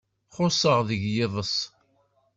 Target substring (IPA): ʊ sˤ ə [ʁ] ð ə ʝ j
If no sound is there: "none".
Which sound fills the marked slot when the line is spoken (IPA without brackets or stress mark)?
ʁ